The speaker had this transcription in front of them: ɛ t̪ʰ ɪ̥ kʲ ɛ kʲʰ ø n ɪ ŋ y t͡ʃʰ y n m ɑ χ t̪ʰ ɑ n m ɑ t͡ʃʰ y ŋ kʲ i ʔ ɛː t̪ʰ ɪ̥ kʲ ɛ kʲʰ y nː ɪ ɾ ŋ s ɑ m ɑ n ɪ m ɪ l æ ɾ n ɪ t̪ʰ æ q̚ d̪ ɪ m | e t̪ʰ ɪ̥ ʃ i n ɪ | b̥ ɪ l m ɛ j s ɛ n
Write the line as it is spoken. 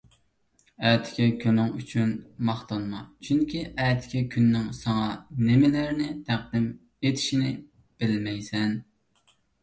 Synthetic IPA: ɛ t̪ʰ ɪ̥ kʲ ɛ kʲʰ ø n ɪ ŋ y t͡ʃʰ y n m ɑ χ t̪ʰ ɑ n m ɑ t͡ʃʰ y ŋ kʲ i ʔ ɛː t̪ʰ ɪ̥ kʲ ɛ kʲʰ y nː ɪ ŋ s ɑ ŋ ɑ n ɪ m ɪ l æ ɾ n ɪ t̪ʰ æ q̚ d̪ ɪ m | e t̪ʰ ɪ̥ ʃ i n ɪ | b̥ ɪ l m ɛ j s ɛ n